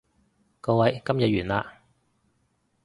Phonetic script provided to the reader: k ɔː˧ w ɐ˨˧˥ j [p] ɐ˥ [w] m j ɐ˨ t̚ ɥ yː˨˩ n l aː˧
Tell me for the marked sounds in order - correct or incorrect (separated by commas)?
incorrect, incorrect